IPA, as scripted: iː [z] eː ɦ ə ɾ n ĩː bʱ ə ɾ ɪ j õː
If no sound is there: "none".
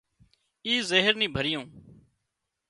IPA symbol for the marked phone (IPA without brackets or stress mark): z